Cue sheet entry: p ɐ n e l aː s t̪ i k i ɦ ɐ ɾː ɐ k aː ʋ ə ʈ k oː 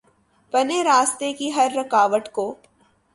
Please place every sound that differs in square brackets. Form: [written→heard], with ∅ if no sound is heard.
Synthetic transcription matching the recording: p ɐ n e [l→ɾ] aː s t̪ [i→e] k i ɦ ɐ ɾː ɐ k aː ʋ ə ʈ k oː